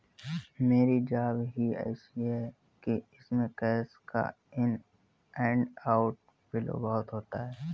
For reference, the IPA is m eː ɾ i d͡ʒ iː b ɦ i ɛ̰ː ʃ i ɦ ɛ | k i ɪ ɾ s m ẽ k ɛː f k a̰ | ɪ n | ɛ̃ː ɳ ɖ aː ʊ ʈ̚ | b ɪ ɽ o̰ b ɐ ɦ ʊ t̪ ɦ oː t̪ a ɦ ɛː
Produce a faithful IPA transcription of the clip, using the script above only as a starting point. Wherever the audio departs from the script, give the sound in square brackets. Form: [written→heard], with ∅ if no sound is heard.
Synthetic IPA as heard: m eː ɾ i d͡ʒ [iː→aː] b ɦ i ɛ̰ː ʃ i ɦ ɛ | k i ɪ [ɾ→∅] s m ẽ k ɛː [f→s] k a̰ | ɪ n | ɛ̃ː ɳ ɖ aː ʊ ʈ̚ | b ɪ [ɽ→l] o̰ b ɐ ɦ ʊ t̪ ɦ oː t̪ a ɦ ɛː